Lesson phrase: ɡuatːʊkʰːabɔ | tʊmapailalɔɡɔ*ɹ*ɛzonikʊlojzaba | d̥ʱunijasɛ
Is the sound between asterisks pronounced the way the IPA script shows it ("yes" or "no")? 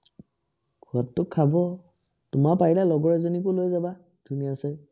yes